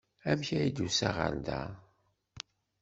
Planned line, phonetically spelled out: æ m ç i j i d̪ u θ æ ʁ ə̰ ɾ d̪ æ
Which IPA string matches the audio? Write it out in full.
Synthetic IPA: æ m ç æ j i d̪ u s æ ʁ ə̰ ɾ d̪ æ